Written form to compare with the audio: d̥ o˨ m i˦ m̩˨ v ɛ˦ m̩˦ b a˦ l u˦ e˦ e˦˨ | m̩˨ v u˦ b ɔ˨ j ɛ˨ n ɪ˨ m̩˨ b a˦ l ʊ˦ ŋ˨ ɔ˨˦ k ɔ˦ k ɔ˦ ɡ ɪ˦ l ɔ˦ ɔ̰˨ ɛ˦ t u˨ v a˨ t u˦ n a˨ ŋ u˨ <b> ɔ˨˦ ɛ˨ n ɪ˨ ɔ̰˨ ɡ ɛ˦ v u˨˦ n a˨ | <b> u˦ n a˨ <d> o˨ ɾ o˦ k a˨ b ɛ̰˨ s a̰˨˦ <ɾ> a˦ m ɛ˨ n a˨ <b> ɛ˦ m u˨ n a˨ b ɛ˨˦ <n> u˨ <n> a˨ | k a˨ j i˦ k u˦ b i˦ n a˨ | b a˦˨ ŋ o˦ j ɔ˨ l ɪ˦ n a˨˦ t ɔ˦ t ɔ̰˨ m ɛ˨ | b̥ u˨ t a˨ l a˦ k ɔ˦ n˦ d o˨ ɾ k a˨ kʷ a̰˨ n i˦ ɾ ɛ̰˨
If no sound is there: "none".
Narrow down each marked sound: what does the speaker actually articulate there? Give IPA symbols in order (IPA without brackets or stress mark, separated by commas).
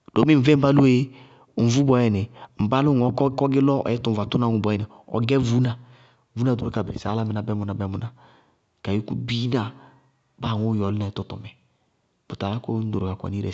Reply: b, v, d, l, b, m, n